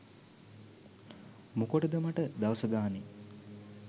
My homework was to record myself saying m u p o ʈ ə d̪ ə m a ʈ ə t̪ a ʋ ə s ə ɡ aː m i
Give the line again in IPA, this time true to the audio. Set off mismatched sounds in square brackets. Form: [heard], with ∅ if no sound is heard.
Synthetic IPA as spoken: m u [k] o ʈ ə d̪ ə m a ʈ ə [d̪] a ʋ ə s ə ɡ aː [n] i